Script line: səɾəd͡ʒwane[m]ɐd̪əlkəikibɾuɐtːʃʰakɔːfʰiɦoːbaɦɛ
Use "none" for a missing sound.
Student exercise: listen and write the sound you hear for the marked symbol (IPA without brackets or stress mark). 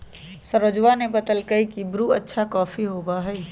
b